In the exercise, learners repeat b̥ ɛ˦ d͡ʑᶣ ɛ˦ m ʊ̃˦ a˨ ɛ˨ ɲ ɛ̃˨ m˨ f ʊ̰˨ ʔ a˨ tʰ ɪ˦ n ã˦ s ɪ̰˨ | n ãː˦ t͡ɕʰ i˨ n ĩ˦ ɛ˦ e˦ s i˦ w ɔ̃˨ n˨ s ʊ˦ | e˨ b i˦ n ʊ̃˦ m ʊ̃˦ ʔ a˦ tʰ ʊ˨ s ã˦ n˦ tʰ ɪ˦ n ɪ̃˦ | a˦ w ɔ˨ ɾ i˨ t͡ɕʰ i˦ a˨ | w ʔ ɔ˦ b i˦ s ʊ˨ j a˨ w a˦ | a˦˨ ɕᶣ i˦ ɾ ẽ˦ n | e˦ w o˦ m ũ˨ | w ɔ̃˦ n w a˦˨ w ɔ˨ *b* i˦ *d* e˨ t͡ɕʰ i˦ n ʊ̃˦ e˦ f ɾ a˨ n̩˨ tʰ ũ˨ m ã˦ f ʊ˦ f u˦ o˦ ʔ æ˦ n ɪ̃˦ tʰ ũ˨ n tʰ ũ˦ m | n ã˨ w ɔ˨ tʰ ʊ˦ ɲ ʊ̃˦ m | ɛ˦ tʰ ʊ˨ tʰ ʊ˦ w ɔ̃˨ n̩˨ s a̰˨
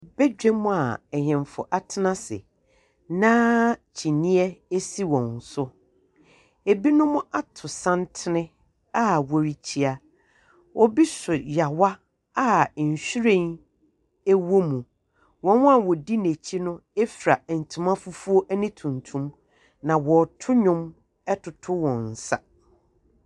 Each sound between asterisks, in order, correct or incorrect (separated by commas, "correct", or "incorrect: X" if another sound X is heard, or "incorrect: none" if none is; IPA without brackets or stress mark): incorrect: d, incorrect: n